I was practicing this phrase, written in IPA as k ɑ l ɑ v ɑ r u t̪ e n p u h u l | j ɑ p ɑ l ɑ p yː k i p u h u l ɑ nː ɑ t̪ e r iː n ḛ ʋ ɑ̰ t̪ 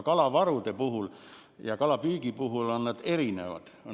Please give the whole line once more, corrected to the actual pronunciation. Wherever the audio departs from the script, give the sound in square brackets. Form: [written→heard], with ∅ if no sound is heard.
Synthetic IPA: k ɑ l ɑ [v→ʋ] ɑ r u t̪ e [n→∅] p u h u l | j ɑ [p→k] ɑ l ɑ p yː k i p u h u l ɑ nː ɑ t̪ e r [iː→i] n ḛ ʋ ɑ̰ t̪